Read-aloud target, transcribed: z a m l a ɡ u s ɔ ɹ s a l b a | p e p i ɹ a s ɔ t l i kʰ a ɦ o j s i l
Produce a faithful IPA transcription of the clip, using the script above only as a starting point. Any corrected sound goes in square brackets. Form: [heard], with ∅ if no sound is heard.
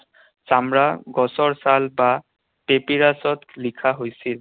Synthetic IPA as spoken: [s] a m [ɹ] a ɡ [ɔ] s ɔ ɹ s a l b a | p e p i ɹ a s ɔ t l i kʰ a ɦ o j s i l